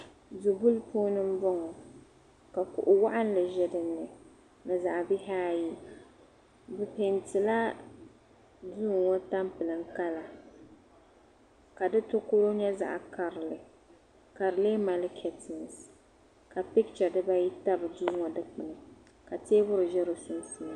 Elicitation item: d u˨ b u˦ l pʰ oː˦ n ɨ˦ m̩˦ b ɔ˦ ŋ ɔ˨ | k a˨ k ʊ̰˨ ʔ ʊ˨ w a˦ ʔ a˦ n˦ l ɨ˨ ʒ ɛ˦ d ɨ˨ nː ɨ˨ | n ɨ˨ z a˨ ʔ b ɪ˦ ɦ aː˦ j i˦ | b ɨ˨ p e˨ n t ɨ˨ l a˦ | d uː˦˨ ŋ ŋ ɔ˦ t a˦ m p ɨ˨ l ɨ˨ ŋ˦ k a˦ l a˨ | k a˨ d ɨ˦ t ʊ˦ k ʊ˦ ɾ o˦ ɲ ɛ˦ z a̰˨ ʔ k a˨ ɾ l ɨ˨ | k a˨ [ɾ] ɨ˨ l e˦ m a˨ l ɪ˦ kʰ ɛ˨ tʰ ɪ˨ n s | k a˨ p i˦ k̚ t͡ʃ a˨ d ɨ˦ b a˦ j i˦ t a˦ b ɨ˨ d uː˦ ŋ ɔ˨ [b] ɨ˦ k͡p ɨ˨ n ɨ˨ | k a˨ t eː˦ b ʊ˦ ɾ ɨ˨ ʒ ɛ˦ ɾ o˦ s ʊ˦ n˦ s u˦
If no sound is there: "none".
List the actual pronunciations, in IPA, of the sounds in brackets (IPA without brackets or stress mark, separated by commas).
ɾ, d